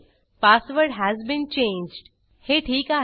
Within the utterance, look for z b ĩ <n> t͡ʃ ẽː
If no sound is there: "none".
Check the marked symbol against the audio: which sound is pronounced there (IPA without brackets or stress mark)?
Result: n